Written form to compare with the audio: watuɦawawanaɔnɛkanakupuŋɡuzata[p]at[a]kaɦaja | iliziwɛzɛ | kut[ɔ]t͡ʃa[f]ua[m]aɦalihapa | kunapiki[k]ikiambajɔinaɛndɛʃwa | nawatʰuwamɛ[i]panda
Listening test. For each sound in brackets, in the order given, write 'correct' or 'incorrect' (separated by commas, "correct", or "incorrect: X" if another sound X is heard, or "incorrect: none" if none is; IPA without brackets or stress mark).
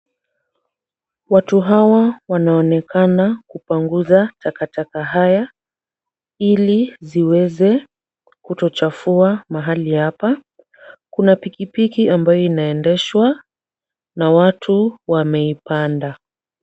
incorrect: k, correct, correct, correct, correct, incorrect: p, correct